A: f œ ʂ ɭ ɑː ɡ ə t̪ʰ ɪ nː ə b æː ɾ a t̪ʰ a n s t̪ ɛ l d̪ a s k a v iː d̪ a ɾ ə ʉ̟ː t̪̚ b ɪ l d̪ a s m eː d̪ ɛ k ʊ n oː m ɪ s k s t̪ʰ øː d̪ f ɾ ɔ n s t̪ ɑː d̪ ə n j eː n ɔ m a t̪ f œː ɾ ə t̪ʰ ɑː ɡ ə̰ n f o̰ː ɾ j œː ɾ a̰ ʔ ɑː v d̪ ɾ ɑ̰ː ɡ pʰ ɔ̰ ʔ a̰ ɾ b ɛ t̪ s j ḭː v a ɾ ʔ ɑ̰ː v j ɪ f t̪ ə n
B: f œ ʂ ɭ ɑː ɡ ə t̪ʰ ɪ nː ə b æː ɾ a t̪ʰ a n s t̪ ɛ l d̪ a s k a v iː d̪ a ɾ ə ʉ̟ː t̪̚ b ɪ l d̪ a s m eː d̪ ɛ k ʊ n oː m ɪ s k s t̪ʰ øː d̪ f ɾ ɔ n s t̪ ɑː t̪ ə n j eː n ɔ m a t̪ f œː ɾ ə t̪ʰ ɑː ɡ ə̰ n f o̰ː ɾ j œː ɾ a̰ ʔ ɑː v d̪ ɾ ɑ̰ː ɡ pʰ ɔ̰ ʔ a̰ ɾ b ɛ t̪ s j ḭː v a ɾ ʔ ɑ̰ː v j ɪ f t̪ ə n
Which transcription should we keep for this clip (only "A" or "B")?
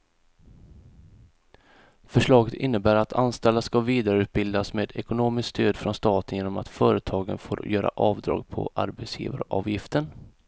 B